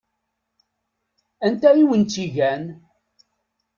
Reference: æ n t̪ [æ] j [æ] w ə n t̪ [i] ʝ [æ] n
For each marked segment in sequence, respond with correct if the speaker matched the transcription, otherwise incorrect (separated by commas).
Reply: correct, incorrect, correct, correct